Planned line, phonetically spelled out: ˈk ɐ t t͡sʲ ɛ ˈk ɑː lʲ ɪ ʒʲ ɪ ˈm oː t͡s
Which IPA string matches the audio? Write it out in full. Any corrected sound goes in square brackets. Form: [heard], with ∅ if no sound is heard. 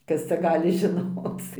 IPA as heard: ˈk ɐ [s] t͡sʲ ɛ [ˈɡ] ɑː lʲ ɪ ʒʲ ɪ [ˈn] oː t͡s